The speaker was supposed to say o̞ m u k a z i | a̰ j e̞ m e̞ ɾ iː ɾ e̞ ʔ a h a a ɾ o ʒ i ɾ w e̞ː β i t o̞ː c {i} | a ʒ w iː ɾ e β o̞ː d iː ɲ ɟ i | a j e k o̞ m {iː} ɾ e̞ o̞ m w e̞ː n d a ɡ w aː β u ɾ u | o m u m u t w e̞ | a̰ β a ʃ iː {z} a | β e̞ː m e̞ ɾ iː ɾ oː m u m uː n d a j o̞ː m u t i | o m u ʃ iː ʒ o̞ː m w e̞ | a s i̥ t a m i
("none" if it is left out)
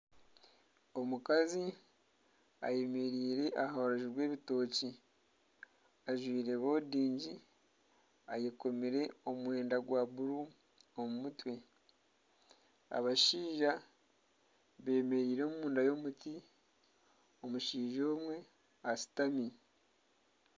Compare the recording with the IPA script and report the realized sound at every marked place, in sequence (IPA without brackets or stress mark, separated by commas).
i, i, ʒ